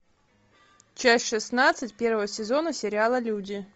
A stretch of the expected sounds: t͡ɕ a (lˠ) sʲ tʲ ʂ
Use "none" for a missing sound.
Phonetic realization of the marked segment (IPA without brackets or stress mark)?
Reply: none